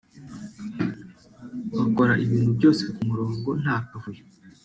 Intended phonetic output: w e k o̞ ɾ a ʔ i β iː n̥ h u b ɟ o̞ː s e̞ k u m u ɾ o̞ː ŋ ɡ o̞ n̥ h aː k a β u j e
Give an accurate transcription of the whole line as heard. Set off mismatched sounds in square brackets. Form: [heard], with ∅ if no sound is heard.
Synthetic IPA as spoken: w [a] k o̞ ɾ a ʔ i β iː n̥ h u b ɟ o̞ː s e̞ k u m u ɾ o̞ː ŋ ɡ o̞ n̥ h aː k a [v] u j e